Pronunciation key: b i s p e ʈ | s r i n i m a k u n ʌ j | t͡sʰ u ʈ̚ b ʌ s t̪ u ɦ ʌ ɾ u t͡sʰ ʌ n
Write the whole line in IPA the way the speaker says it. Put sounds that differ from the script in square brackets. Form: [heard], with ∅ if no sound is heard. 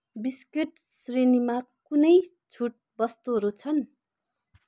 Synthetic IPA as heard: b i s [k] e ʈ | s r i n i m a k u n ʌ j | t͡sʰ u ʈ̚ b ʌ s t̪ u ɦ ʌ ɾ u t͡sʰ ʌ n